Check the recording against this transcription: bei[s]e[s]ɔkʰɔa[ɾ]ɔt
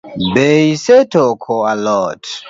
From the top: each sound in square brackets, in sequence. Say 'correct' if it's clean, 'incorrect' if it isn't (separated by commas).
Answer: correct, incorrect, incorrect